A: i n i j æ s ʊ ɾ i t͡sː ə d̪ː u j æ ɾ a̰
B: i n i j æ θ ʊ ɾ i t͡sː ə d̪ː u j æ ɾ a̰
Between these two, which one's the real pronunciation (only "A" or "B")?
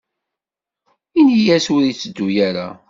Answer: A